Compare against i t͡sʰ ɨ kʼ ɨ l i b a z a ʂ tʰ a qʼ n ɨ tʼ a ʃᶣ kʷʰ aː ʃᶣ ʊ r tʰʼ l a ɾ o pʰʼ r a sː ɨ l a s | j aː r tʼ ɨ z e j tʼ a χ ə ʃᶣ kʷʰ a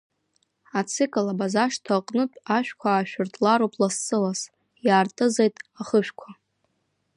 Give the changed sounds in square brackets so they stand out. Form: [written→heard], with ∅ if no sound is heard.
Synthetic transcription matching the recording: [i→a] t͡sʰ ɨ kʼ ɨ l [i→a] b a z a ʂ tʰ a qʼ n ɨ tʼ a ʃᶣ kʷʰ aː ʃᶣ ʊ r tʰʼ l a ɾ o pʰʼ [r→l] a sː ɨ l a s | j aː r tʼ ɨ z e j tʼ a χ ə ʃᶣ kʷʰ a